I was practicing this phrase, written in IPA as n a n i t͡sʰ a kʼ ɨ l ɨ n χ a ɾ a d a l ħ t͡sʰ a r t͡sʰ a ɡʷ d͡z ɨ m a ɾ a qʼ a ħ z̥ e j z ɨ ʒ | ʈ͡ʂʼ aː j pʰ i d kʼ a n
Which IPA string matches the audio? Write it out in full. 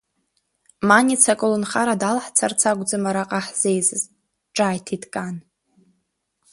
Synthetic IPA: m a n i t͡sʰ a kʼ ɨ l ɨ n χ a ɾ a d a l ħ t͡sʰ a r t͡sʰ a ɡʷ d͡z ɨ m a ɾ a qʼ a ħ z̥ e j z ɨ z | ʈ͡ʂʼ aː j tʰ i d kʼ a n